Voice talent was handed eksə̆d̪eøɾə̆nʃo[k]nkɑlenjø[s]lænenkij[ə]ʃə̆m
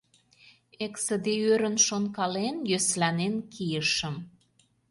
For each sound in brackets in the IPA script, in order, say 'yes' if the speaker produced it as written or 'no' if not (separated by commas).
no, yes, yes